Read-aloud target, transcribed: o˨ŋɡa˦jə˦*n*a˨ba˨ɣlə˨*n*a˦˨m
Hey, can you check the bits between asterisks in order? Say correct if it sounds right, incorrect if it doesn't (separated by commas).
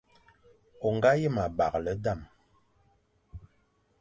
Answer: incorrect, incorrect